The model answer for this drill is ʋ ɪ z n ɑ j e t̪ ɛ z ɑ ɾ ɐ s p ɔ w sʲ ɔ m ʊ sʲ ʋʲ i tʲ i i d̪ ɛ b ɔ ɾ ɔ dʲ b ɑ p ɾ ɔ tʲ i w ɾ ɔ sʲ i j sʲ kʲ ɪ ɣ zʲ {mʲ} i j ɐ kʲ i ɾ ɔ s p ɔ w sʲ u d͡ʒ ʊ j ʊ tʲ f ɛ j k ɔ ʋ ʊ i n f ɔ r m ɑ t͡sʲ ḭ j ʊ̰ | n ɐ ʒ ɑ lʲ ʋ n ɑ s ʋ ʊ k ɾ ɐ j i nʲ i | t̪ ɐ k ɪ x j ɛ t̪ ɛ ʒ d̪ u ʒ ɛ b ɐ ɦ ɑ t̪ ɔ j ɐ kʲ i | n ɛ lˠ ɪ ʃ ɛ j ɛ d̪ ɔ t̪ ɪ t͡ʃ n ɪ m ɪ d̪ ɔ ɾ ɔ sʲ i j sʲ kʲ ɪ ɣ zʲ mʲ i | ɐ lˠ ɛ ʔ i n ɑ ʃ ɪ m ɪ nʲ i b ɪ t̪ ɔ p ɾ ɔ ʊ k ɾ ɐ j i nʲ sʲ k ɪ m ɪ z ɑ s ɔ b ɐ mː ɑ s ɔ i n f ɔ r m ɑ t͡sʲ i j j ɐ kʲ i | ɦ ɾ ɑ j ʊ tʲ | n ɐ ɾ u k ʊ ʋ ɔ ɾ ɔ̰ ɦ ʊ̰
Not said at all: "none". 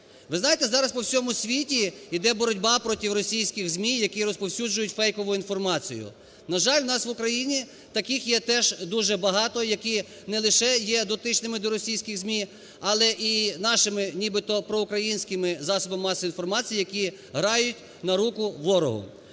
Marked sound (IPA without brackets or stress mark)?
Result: mʲ